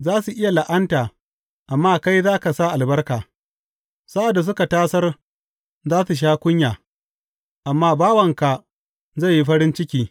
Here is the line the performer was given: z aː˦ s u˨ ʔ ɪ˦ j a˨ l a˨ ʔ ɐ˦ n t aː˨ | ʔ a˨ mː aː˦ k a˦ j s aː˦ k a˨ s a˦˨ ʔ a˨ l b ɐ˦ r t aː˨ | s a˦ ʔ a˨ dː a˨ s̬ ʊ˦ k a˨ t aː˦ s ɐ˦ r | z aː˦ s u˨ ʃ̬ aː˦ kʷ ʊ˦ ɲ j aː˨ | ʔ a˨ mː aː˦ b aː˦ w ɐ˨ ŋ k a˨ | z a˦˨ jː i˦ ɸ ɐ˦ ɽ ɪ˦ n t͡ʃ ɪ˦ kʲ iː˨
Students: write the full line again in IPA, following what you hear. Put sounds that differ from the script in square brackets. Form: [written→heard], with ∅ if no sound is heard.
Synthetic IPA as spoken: z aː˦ s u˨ ʔ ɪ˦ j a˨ l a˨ ʔ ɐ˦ n t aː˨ | ʔ a˨ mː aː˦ k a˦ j [s→z] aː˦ k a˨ s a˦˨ ʔ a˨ l b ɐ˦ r [t→k] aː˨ | s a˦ ʔ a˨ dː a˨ s̬ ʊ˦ k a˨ t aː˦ s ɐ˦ r | z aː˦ s u˨ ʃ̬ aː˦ kʷ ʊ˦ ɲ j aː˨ | ʔ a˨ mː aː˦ b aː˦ w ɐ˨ ŋ k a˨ | z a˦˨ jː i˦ ɸ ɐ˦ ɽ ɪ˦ n t͡ʃ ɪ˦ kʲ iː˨